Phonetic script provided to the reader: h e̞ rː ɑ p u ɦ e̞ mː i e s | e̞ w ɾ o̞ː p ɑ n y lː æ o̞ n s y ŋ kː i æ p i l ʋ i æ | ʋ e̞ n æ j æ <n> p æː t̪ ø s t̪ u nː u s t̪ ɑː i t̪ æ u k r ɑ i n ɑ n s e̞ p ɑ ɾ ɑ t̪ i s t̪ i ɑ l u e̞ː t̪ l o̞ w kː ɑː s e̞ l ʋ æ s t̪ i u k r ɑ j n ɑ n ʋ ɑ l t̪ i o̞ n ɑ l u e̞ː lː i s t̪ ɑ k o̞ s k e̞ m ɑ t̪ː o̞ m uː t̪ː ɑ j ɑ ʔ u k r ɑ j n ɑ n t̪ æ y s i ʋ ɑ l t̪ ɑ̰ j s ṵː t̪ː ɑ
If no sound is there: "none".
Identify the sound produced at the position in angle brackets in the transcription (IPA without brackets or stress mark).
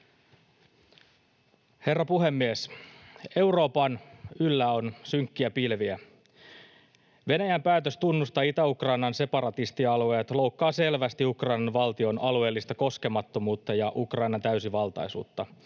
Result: m